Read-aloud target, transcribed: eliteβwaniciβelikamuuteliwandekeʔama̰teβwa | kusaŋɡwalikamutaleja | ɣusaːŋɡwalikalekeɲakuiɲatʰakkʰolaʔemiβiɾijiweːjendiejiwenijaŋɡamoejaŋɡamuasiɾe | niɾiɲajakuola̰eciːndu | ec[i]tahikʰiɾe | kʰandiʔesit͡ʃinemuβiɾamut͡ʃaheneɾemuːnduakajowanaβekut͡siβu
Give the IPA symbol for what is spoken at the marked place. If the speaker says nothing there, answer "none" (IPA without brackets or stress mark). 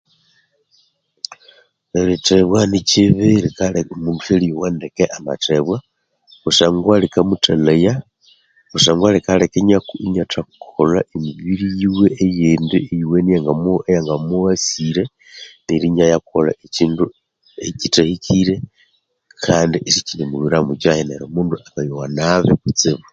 i